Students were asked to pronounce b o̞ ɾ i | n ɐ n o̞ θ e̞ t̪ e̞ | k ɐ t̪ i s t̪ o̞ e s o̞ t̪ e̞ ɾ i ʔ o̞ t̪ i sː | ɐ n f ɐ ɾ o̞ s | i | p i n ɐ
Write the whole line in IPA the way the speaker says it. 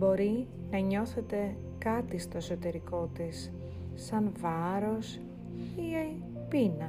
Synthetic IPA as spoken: b o̞ ɾ i | n ɐ ɲ o̞ θ e̞ t̪ e̞ | k ɐ t̪ i s t̪ o̞ e s o̞ t̪ e̞ ɾ i k o̞ t̪ i sː | ɐ n v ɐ ɾ o̞ s | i | p i n ɐ